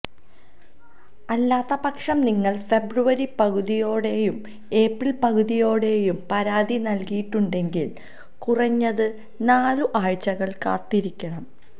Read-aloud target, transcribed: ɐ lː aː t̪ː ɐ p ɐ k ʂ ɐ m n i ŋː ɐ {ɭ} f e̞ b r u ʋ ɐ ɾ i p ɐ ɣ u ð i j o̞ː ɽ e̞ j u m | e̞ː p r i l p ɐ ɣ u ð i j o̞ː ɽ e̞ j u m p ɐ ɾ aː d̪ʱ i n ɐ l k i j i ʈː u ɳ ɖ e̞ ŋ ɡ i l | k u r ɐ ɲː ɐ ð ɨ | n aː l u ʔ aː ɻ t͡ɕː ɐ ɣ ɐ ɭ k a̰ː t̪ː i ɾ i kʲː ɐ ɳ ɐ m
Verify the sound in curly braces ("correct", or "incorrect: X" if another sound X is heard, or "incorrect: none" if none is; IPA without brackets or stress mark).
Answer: correct